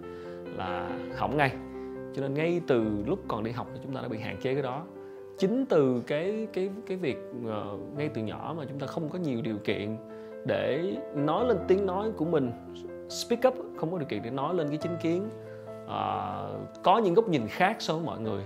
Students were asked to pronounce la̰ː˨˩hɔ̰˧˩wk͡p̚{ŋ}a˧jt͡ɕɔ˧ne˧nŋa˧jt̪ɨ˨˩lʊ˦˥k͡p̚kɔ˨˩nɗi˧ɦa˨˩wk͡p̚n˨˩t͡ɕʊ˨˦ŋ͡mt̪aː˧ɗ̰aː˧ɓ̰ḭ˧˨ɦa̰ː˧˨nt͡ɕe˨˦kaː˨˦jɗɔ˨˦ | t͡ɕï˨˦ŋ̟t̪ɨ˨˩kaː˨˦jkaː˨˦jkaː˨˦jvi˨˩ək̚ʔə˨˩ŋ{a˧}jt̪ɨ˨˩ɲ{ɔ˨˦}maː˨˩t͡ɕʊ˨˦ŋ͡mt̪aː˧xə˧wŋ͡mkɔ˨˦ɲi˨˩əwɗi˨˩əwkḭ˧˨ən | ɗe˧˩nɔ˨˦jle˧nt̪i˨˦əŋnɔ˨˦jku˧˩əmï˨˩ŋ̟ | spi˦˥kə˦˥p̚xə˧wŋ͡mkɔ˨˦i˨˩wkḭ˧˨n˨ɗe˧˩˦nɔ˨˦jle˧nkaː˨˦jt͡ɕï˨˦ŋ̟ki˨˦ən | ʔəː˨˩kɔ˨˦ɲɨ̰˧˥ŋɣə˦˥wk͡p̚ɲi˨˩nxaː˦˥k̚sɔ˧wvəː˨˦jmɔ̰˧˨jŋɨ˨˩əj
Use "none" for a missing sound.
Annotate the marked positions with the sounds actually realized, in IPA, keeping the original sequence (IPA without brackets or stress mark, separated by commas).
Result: ŋ, a˧, ɔ˧˩